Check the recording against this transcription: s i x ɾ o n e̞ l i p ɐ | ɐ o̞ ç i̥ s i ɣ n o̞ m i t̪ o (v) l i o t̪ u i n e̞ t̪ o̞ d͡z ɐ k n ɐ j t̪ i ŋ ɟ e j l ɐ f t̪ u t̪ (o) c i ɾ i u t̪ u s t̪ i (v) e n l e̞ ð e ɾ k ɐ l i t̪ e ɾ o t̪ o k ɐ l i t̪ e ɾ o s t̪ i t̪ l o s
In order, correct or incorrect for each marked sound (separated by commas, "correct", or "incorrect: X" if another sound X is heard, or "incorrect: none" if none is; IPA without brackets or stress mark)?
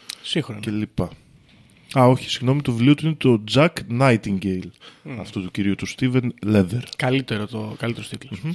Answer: correct, incorrect: u, correct